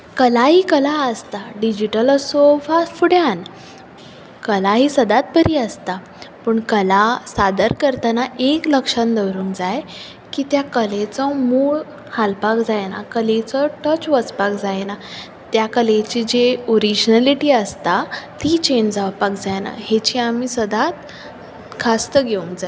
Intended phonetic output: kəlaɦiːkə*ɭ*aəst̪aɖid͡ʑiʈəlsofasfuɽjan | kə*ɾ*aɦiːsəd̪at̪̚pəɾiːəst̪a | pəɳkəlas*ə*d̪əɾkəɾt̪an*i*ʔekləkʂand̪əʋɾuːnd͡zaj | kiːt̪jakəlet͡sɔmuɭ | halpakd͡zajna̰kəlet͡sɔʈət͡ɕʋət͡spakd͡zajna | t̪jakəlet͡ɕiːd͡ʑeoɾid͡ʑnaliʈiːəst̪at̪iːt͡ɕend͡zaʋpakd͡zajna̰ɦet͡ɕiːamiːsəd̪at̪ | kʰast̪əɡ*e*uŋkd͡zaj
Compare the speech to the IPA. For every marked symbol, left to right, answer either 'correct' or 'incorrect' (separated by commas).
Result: incorrect, incorrect, incorrect, incorrect, correct